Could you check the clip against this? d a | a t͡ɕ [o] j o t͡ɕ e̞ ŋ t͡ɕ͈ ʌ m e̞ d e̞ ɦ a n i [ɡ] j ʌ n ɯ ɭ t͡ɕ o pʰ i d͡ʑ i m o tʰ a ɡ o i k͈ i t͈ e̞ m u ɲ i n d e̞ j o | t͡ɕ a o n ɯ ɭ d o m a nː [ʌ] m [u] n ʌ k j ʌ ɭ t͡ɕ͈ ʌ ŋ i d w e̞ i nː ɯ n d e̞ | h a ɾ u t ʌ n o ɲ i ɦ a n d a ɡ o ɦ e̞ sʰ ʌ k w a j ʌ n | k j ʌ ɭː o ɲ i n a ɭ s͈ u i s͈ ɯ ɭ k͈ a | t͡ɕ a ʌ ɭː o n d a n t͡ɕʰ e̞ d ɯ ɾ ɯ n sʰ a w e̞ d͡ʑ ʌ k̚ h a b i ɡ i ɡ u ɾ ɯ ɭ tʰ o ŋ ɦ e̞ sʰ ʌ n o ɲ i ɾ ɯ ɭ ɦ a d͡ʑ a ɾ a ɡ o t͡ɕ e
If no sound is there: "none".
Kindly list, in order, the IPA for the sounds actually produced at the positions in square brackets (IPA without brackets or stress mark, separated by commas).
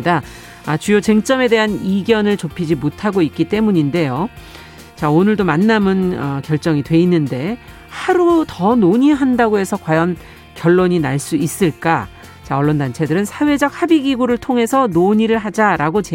u, ɡ, a, ɯ